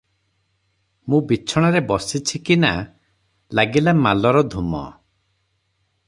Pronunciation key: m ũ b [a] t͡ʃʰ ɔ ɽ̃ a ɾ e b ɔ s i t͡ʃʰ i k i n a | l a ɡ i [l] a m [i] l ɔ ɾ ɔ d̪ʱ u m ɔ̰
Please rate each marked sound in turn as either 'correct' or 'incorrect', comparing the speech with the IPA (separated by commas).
incorrect, correct, incorrect